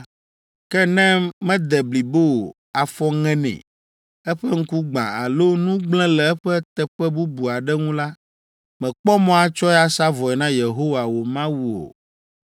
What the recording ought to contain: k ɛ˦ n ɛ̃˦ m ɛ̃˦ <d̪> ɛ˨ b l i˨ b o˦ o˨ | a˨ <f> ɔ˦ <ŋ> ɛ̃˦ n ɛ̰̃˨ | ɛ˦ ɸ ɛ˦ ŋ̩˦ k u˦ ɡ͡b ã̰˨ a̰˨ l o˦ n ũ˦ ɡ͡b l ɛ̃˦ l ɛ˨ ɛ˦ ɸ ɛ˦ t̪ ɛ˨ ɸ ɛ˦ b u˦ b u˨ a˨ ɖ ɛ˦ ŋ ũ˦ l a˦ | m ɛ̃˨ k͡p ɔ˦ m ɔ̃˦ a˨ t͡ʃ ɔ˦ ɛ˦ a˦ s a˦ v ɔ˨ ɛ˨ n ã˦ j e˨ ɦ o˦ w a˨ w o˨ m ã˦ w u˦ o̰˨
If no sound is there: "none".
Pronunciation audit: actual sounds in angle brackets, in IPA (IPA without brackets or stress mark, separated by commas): d̪, f, ŋ